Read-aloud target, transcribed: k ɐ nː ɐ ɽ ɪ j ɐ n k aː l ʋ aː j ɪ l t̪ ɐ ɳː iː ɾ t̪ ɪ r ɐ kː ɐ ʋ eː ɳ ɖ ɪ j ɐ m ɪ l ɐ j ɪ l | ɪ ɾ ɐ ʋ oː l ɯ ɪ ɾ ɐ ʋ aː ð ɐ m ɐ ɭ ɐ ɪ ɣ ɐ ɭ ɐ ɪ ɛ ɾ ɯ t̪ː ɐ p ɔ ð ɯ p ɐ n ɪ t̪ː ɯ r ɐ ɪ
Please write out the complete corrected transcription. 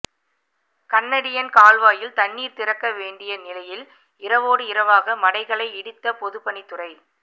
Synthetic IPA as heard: k ɐ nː ɐ ɽ ɪ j ɐ n k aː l ʋ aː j ɪ l t̪ ɐ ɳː iː ɾ t̪ ɪ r ɐ kː ɐ ʋ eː ɳ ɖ ɪ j ɐ n ɪ l ɐ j ɪ l | ɪ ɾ ɐ ʋ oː ɽ ɯ ɪ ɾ ɐ ʋ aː ɣ ɐ m ɐ ɽ ɐ ɪ ɣ ɐ ɭ ɐ ɪ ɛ ɽ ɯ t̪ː ɐ p ɔ ð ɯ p ɐ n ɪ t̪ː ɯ r ɐ ɪ